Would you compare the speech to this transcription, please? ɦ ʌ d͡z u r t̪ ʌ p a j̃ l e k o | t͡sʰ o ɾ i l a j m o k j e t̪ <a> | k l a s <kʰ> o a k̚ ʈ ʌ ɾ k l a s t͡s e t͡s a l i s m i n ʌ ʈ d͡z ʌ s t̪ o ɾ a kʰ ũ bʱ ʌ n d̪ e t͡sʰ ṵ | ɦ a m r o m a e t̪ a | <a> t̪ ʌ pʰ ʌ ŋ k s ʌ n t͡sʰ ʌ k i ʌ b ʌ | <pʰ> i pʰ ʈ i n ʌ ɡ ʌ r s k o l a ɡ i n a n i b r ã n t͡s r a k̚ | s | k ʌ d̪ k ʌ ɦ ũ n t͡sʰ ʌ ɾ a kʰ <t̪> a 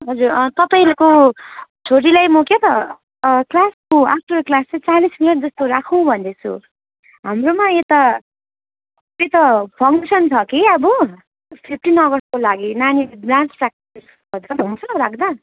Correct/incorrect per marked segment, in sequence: incorrect: ʌ, incorrect: k, incorrect: e, correct, incorrect: d̪

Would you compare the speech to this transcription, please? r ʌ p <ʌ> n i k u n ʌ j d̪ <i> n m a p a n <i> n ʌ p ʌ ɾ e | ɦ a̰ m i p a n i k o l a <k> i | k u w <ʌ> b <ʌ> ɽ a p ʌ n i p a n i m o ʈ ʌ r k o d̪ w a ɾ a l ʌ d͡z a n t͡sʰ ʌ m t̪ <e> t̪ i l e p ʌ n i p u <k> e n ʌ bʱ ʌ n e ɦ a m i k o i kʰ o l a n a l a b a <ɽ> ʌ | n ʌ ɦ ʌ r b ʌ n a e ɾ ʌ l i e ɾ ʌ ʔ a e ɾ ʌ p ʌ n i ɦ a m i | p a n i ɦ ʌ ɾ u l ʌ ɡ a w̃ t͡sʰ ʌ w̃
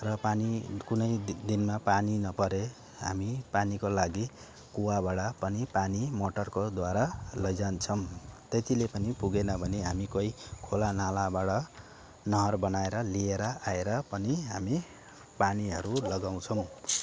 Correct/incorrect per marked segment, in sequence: incorrect: a, correct, correct, incorrect: ɡ, incorrect: a, incorrect: a, correct, incorrect: ɡ, correct

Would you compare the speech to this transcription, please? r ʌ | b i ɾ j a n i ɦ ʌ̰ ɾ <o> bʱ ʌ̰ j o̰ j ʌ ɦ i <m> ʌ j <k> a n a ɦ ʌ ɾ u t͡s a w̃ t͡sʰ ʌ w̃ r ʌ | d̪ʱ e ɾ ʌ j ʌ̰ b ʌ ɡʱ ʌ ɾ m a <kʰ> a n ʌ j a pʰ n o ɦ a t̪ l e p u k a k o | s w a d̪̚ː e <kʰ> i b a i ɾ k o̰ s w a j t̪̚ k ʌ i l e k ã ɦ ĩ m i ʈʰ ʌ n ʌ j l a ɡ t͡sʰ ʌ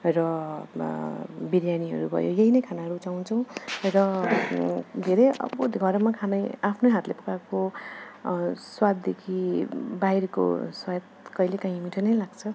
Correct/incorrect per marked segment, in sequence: incorrect: u, incorrect: n, incorrect: kʰ, correct, correct

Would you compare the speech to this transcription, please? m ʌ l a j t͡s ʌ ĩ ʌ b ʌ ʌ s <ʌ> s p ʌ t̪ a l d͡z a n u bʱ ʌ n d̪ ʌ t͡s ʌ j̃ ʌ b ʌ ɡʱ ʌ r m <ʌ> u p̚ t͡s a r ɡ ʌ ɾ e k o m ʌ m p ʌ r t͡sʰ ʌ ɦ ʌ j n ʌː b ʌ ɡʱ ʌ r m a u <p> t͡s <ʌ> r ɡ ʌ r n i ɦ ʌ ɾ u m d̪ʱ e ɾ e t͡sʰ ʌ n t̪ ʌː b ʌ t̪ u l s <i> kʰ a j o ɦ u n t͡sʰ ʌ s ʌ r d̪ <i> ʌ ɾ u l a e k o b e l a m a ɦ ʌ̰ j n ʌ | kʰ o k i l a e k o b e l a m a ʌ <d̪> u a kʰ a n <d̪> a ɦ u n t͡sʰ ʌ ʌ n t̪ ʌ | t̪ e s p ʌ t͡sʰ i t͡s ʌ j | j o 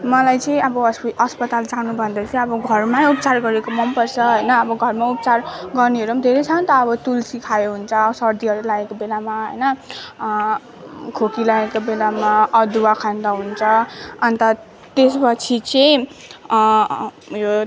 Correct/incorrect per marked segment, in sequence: correct, incorrect: a, correct, incorrect: a, correct, correct, correct, correct

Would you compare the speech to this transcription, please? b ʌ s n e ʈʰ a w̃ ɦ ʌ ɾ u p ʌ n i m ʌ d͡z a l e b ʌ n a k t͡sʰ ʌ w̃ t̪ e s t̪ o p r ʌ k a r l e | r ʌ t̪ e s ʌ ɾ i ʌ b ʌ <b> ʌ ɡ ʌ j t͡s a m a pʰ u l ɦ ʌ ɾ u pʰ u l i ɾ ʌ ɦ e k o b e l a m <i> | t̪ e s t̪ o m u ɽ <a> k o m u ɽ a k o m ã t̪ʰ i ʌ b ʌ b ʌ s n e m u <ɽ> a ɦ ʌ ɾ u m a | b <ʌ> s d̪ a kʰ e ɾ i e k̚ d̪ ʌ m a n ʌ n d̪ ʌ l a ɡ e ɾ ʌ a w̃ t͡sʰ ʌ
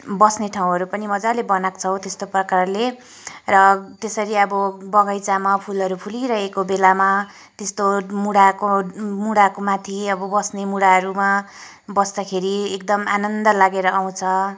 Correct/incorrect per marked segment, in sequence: correct, incorrect: a, correct, correct, correct

